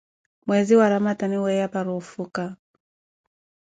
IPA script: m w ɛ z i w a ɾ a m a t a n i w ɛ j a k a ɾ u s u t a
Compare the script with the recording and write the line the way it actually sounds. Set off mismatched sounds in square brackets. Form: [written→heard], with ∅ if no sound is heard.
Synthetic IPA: m w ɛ z i w a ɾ a m a t a n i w ɛ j a [k→p] a ɾ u [s→f] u [t→k] a

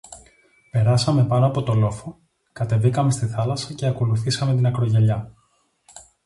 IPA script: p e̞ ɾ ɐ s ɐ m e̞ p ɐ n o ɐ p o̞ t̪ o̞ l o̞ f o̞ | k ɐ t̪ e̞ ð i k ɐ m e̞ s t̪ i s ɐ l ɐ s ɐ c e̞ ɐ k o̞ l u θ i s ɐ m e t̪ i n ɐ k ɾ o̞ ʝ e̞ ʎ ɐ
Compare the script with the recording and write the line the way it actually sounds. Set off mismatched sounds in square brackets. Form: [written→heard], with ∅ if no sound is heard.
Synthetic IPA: p e̞ ɾ ɐ s ɐ m e̞ p ɐ n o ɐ p o̞ t̪ o̞ l o̞ f o̞ | k ɐ t̪ e̞ [ð→v] i k ɐ m e̞ s t̪ i [s→θ] ɐ l ɐ s ɐ c e̞ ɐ k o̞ l u θ i s ɐ m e t̪ i n ɐ k ɾ o̞ ʝ e̞ ʎ ɐ

